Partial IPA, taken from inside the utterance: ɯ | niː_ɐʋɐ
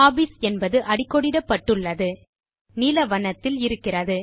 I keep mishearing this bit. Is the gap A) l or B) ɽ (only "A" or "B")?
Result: A